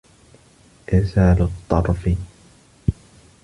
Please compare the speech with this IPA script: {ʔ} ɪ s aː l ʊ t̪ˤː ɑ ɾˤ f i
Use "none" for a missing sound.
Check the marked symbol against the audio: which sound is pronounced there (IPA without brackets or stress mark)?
ʔ